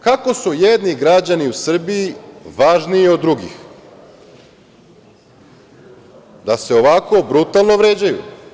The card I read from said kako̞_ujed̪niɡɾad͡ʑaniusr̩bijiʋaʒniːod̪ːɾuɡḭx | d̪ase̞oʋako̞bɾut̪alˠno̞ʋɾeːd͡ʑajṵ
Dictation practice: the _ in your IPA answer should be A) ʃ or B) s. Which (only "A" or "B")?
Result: B